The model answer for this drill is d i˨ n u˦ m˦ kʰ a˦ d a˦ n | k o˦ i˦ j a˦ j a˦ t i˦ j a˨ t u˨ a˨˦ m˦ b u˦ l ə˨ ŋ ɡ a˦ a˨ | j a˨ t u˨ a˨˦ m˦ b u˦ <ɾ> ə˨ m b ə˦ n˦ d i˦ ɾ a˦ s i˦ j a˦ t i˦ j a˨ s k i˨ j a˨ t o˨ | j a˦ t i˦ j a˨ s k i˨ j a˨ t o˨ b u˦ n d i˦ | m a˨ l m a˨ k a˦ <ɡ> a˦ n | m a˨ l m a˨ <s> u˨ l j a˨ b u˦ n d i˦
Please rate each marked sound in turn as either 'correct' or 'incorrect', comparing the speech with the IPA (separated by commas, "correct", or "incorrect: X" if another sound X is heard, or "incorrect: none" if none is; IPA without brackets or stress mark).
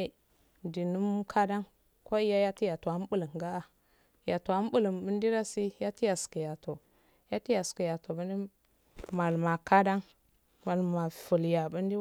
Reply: incorrect: l, incorrect: d, incorrect: f